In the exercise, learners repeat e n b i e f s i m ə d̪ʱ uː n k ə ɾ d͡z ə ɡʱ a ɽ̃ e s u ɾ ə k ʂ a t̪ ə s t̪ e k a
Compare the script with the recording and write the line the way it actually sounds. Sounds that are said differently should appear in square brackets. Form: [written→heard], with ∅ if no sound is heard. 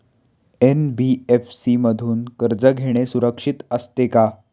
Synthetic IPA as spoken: e n b i e f s i m ə d̪ʱ uː n k ə ɾ d͡z ə ɡʱ [a→e] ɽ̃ e s u ɾ ə k ʂ [a→i] t̪ ə s t̪ e k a